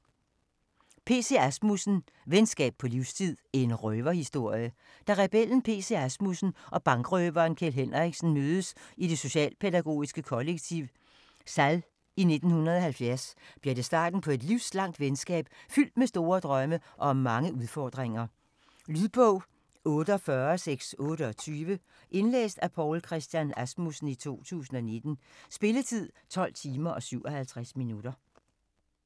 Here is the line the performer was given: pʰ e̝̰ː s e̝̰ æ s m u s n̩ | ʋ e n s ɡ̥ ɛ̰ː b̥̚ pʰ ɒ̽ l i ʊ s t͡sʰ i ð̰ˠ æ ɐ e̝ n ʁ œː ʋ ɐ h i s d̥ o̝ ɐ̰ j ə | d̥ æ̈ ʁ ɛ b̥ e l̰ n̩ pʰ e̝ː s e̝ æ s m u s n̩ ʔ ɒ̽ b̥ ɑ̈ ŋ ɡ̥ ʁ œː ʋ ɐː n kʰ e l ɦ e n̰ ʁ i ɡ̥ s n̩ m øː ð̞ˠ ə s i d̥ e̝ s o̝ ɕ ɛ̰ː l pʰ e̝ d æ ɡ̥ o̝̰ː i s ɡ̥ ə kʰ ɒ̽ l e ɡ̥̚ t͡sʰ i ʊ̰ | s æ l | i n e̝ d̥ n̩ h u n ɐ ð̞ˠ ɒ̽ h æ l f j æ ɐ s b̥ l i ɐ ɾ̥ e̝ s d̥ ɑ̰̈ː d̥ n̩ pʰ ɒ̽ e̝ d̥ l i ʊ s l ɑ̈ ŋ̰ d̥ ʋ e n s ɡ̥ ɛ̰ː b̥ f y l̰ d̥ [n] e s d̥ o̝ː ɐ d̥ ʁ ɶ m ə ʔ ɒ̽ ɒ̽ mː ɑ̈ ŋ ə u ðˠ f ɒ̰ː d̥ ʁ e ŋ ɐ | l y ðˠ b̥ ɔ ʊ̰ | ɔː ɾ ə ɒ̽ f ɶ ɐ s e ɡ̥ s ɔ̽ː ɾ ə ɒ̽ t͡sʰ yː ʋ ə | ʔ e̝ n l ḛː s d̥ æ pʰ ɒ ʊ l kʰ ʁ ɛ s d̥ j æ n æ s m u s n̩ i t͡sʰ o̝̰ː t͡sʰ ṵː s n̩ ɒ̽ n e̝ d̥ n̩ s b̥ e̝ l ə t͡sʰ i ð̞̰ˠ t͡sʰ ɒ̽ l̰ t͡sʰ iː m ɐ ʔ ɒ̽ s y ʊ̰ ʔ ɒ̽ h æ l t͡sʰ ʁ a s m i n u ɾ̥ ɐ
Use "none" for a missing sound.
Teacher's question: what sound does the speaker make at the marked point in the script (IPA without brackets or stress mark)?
m